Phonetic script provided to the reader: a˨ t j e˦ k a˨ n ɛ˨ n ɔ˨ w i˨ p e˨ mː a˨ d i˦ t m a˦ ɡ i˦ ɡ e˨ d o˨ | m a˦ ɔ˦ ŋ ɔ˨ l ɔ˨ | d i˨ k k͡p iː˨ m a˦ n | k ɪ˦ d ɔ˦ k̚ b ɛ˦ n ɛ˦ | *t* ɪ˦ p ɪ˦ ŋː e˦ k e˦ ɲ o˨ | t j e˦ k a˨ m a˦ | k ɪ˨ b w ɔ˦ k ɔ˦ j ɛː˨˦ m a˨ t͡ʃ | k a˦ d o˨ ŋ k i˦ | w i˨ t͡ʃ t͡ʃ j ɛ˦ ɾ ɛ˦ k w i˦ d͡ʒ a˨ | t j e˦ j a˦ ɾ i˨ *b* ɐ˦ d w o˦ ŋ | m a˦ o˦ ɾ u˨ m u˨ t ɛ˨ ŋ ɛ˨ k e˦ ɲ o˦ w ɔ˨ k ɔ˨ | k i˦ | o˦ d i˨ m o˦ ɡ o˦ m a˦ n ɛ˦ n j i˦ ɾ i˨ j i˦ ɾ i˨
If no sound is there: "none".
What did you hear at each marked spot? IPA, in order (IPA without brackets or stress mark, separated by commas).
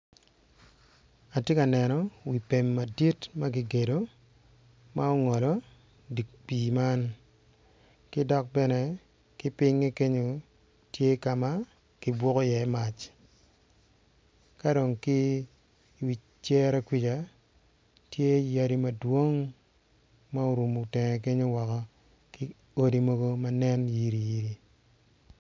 k, m